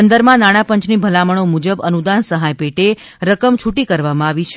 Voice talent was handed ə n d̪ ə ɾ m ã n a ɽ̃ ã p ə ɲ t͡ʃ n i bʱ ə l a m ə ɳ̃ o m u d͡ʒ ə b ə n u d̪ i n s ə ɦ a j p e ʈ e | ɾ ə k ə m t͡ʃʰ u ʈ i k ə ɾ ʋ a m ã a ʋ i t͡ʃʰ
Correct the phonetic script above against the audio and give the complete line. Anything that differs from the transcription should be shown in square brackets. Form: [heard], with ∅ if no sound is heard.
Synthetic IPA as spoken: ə n d̪ ə ɾ m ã n a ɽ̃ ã p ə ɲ t͡ʃ n i bʱ ə l a m ə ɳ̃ o m u d͡ʒ ə b ə n u d̪ [a] n s ə ɦ a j p e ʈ e | ɾ ə k ə m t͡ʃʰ u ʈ i k ə ɾ ʋ a m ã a ʋ i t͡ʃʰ